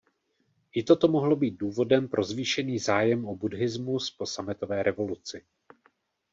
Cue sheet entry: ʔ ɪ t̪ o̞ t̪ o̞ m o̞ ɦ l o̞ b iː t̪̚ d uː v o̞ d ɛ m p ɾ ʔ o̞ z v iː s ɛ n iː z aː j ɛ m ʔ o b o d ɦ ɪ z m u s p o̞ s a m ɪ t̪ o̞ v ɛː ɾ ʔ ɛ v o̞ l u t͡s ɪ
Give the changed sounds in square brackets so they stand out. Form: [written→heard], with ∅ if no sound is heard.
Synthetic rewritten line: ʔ ɪ t̪ o̞ t̪ o̞ m o̞ ɦ l o̞ b iː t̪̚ d uː v o̞ d ɛ m p ɾ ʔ o̞ z v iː [s→ʃ] ɛ n iː z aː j ɛ m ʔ o b [o→u] d ɦ ɪ z m u s p o̞ s a m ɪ t̪ o̞ v ɛː ɾ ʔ ɛ v o̞ l u t͡s ɪ